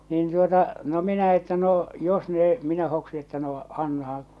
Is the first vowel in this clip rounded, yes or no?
no